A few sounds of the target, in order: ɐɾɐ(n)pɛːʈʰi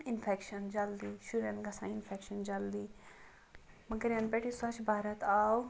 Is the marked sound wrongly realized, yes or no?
no